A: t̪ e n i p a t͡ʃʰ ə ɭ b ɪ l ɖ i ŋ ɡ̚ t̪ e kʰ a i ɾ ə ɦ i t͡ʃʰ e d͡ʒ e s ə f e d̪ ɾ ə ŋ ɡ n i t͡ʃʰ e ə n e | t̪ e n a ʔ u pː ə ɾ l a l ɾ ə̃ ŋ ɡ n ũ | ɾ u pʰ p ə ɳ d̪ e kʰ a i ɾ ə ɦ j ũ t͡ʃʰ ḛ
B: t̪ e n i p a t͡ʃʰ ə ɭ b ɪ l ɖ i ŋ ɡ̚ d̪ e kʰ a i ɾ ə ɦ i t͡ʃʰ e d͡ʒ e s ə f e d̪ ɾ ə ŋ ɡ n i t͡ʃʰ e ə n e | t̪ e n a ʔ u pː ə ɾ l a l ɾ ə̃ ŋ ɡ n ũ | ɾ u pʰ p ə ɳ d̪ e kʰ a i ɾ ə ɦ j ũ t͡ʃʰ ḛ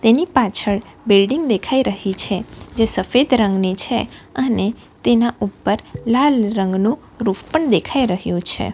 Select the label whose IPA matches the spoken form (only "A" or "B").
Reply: B